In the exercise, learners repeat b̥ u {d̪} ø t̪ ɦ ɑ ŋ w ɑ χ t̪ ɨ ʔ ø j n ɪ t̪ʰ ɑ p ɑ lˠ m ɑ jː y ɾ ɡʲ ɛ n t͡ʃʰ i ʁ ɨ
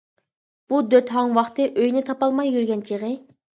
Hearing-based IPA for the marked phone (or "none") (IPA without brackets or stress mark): d̪